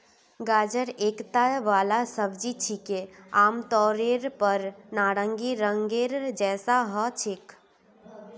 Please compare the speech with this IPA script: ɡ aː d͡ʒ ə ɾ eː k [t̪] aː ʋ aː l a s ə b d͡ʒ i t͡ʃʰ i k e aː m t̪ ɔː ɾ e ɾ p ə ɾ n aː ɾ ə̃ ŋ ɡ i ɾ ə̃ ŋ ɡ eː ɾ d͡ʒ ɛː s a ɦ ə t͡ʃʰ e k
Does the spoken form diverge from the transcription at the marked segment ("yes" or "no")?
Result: no